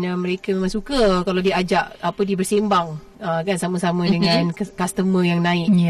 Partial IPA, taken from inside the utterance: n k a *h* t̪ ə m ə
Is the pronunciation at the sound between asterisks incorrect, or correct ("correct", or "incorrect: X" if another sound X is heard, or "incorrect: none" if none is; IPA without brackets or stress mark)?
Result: incorrect: s